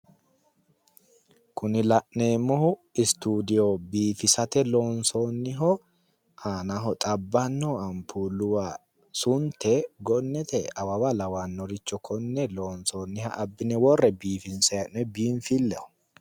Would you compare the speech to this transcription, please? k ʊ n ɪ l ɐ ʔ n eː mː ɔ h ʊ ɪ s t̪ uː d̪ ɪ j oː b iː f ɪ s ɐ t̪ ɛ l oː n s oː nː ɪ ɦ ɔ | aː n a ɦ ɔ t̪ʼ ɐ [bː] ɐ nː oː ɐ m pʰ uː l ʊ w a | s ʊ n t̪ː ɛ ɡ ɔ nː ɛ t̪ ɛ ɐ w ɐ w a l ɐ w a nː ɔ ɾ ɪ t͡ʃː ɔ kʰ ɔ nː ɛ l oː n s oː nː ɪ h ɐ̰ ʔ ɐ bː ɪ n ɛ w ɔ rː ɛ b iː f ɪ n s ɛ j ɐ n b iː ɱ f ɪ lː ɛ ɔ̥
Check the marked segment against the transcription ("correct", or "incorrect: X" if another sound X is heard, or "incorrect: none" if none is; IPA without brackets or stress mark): correct